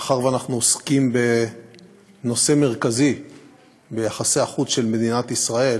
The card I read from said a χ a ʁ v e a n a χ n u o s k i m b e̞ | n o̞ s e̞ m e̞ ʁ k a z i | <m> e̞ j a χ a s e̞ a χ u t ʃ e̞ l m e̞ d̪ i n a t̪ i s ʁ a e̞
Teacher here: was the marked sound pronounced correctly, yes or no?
no